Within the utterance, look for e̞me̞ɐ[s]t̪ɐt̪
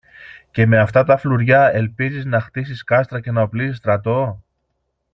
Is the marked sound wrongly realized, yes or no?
yes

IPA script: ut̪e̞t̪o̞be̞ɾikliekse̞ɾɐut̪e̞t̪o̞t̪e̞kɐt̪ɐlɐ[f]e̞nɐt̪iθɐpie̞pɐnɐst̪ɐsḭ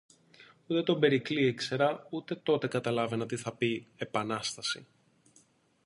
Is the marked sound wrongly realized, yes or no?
yes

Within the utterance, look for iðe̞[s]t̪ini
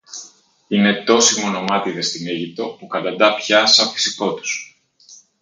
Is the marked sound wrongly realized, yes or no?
no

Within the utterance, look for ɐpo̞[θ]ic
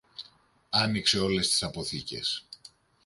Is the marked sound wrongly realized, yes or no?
no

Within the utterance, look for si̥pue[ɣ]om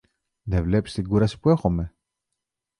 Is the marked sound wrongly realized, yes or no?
yes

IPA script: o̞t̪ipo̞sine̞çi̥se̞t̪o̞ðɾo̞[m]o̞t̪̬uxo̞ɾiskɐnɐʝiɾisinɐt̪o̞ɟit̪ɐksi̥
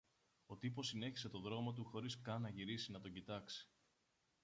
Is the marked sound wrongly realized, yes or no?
no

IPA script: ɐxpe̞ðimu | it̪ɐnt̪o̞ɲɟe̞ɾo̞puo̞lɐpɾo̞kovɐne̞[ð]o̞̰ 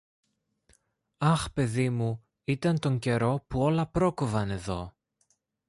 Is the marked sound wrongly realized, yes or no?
no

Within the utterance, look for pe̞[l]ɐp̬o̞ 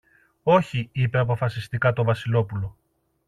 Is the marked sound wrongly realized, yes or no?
yes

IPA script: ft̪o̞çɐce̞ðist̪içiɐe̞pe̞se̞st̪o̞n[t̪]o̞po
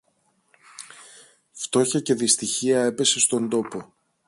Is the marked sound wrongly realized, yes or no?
yes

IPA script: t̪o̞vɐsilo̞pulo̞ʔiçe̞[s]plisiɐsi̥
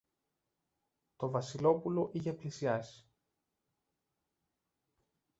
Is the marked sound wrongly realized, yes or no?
yes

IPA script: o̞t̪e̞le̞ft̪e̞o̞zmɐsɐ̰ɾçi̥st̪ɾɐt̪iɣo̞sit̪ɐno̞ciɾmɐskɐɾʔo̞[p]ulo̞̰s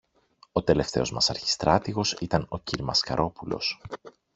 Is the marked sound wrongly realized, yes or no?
no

